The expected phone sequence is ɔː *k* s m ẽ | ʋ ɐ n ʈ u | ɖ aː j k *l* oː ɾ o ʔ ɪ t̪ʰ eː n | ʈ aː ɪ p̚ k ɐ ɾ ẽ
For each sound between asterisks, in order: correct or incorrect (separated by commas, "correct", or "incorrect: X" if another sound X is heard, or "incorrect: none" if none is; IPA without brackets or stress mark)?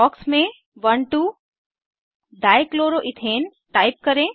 correct, correct